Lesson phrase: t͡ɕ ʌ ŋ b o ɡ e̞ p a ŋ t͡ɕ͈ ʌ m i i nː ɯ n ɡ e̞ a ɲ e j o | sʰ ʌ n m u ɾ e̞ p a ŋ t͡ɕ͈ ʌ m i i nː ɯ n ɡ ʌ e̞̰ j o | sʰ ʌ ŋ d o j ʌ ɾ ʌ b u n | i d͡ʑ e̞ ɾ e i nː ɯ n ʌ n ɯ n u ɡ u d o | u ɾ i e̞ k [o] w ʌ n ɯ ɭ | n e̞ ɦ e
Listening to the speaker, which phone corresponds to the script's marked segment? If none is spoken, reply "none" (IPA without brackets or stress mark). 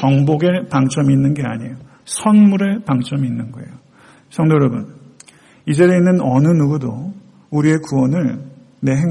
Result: u